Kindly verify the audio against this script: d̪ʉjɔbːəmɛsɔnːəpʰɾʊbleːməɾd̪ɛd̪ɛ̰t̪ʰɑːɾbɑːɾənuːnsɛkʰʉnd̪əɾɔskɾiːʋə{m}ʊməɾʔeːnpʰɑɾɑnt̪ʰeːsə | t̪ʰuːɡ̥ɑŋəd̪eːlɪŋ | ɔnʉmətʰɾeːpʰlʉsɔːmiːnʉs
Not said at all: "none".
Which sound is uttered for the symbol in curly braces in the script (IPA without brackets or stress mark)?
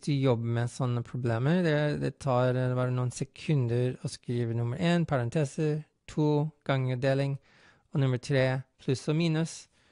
n